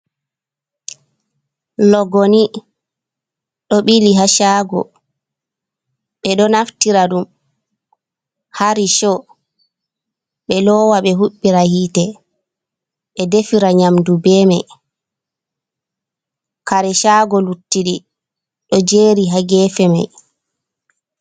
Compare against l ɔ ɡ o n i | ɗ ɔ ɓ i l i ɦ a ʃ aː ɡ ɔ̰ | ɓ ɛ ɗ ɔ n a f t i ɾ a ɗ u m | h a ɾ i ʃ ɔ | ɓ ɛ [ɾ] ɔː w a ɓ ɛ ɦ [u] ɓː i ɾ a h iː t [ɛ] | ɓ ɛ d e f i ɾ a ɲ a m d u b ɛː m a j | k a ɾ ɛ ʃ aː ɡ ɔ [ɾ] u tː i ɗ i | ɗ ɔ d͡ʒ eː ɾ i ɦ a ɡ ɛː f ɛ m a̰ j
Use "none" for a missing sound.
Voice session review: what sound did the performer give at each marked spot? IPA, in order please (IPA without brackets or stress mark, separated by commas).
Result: l, u, ɛ, l